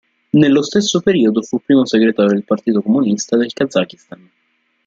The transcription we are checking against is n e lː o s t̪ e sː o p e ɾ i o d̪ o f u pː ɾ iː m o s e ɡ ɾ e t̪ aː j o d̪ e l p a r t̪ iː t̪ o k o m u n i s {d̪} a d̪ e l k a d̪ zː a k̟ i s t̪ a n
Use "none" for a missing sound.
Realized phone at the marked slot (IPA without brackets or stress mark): t̪